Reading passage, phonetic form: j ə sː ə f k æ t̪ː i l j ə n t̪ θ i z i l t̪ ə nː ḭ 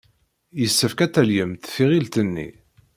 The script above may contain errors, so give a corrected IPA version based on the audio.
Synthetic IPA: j ə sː ə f k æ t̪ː æ l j ə m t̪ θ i ʁ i l t̪ ə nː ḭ